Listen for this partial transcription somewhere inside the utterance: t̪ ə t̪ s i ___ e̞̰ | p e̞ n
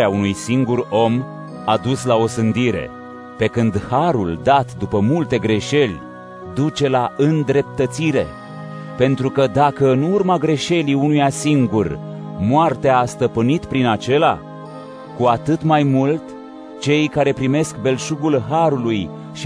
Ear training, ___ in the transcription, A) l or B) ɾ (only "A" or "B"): B